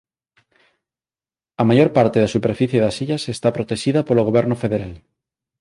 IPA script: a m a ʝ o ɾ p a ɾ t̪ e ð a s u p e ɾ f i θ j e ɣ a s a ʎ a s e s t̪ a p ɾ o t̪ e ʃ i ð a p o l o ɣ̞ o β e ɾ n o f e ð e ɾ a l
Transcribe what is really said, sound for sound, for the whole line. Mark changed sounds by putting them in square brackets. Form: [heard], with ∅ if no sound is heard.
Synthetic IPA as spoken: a m a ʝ o ɾ p a ɾ t̪ e ð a s u p e ɾ f i θ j e [ð] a s [i] ʎ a s e s t̪ a p ɾ o t̪ e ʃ i ð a p o l o ɣ̞ o β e ɾ n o f e ð e ɾ a l